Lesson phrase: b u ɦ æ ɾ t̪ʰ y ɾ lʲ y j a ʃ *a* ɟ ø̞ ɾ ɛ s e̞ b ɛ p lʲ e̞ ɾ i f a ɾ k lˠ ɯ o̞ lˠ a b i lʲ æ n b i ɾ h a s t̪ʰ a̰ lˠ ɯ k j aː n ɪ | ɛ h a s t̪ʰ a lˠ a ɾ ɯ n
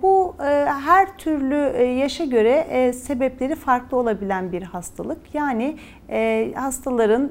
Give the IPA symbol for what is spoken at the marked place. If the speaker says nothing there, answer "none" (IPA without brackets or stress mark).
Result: a